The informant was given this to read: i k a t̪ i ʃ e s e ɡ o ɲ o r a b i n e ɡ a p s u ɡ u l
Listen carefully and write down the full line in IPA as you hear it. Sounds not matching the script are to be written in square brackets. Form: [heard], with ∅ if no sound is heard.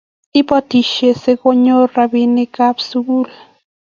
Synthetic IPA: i [p] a t̪ i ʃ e s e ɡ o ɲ o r a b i n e [k] a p s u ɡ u l